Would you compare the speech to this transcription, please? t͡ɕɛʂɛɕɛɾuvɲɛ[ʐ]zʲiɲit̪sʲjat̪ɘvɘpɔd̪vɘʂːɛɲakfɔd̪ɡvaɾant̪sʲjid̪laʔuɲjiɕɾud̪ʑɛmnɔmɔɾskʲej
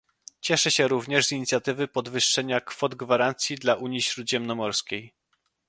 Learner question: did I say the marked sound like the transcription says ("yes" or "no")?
yes